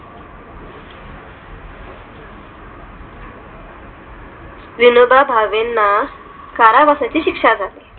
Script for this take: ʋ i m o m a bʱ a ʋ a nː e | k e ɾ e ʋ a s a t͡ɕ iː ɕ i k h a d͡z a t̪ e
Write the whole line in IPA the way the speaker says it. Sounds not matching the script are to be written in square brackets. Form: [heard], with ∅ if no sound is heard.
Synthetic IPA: ʋ i [n] o [b] a bʱ a ʋ [e] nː [a] | k [a] ɾ [a] ʋ a s a t͡ɕ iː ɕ i k [ʂ] a d͡z a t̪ e